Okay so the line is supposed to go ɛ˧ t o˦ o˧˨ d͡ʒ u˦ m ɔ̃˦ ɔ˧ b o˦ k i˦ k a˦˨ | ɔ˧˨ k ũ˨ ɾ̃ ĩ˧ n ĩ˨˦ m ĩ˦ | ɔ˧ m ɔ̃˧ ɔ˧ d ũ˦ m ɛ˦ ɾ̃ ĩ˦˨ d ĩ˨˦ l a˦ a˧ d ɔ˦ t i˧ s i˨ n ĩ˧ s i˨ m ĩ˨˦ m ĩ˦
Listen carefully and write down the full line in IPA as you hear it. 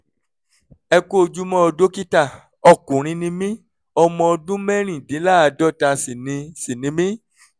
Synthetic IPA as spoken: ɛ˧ k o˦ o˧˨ d͡ʒ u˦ m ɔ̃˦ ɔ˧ d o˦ k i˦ t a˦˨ | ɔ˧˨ k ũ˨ ɾ̃ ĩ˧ n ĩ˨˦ m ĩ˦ | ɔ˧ m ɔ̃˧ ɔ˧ d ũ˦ m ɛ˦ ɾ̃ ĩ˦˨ d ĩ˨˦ l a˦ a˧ d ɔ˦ t a˧ s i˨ n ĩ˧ s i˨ n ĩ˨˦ m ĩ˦